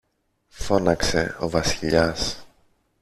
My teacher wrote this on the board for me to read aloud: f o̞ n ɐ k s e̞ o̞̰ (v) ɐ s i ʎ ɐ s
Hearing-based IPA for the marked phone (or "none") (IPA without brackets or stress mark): v